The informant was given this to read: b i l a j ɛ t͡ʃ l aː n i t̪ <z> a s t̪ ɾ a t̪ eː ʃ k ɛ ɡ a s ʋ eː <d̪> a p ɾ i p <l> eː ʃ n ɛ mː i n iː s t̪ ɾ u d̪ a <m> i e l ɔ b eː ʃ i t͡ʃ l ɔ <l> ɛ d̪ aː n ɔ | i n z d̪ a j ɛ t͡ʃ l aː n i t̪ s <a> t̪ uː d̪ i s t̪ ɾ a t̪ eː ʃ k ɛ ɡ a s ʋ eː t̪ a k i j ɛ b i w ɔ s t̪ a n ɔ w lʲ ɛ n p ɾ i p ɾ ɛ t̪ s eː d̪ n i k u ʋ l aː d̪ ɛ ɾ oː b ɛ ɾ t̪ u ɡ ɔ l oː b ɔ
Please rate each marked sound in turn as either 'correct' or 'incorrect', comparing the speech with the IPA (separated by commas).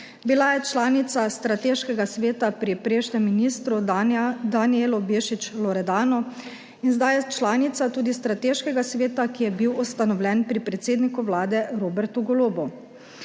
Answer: incorrect, incorrect, incorrect, incorrect, incorrect, correct